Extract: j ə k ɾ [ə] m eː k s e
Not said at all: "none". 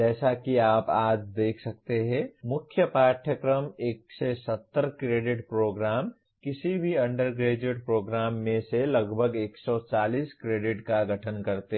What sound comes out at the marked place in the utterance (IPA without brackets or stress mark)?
ə